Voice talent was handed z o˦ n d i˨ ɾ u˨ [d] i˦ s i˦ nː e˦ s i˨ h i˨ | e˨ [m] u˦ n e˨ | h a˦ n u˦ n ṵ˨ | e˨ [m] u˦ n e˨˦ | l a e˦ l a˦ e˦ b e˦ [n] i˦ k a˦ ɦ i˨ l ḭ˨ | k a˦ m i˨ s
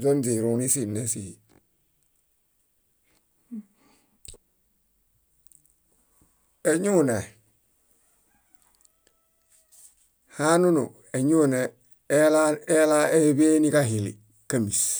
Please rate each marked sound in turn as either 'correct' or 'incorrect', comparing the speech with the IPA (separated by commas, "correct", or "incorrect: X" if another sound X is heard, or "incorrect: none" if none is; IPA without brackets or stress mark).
incorrect: n, incorrect: ɲ, incorrect: ɲ, correct